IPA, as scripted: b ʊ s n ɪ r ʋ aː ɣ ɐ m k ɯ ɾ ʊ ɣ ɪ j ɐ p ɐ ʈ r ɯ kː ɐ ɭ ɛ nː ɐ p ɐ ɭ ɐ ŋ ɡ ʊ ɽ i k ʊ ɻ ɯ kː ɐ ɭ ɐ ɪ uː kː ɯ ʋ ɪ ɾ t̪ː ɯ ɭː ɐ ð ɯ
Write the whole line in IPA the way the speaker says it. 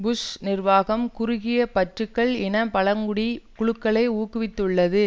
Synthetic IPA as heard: b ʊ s n ɪ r ʋ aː ɣ ɐ m k ʊ ɾ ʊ ɣ ɪ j ɐ p ɐ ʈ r ɯ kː ɐ ɭ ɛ n ɐ p ɐ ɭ ɐ ŋ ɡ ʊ ɽ i k ʊ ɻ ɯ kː ɐ ɭ ɐ ɪ uː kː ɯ ʋ ɪ t̪ː ɯ ɭː ɐ ð ɯ